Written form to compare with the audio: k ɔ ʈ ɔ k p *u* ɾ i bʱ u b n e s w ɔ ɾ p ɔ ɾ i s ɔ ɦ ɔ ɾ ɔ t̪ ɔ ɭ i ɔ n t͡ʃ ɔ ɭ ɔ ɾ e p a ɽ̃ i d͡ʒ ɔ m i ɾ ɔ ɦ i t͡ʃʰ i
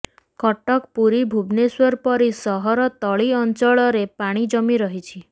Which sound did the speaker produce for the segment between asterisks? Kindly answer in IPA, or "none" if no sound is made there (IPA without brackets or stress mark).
u